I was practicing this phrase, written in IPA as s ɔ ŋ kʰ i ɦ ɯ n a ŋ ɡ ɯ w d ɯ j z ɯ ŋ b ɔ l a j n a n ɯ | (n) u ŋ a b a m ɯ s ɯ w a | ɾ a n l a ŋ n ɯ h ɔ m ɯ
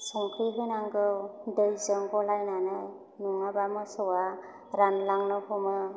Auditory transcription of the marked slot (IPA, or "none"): n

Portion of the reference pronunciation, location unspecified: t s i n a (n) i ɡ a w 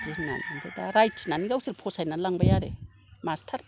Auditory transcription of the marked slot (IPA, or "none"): n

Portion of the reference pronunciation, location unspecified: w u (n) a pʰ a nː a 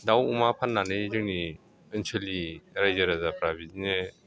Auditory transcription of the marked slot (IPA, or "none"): m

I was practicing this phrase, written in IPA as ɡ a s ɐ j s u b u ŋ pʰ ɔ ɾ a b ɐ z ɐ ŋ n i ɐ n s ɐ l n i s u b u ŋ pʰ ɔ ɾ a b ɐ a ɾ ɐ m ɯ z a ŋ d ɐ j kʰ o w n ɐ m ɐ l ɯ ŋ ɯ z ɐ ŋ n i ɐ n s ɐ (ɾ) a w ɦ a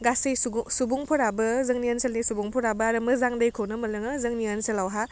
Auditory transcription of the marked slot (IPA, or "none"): l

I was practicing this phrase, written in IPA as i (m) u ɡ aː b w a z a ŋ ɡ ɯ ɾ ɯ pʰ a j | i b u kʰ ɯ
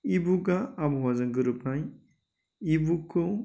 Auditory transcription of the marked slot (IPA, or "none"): b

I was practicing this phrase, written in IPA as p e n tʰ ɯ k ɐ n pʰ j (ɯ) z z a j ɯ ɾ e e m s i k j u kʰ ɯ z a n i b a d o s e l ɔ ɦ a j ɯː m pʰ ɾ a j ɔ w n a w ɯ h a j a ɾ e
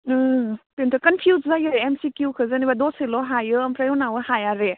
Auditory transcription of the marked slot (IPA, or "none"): u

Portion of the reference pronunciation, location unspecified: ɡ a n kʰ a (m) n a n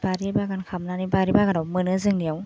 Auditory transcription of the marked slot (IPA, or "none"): m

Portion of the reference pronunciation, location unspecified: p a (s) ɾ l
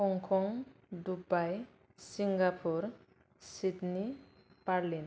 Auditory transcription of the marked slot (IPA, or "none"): none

